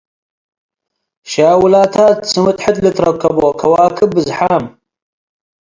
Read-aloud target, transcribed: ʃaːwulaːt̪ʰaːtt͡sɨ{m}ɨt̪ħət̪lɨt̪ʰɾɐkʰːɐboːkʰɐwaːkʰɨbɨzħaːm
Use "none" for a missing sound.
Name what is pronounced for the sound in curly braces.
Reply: m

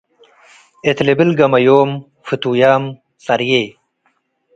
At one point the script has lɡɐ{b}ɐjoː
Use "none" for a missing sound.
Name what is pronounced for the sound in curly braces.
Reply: m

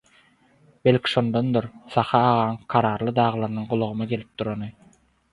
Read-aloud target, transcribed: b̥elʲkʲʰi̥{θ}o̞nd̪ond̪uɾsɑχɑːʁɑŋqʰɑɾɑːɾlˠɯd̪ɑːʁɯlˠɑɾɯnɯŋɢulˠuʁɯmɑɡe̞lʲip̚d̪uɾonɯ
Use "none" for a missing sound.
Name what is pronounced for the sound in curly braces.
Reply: ʃ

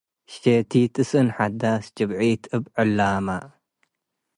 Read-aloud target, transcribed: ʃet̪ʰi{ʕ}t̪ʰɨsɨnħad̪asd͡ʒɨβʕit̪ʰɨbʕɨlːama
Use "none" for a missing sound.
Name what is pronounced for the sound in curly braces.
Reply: none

